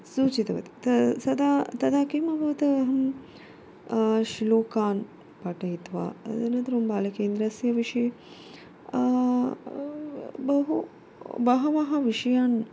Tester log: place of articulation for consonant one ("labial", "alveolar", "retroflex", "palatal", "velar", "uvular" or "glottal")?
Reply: alveolar